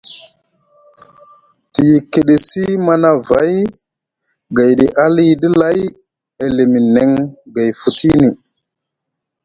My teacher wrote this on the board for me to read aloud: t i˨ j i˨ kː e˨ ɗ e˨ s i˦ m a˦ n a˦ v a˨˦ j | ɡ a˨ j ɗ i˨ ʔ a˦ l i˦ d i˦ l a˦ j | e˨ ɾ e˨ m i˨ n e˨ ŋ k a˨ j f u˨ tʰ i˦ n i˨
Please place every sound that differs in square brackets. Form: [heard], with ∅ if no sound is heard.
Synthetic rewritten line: t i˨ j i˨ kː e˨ ɗ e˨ s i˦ m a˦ n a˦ v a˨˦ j | ɡ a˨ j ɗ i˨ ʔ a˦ l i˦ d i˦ l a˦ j | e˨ [l] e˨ m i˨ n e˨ ŋ [ɡ] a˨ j f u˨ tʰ i˦ n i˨